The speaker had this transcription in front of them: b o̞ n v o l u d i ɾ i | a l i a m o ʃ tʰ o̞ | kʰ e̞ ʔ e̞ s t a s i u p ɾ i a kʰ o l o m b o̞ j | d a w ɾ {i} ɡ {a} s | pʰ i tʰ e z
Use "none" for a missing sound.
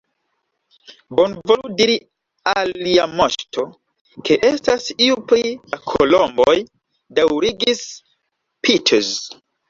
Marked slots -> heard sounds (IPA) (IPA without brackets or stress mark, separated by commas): i, i